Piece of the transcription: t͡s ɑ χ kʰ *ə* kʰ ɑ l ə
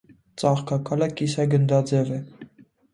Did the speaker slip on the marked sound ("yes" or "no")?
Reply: yes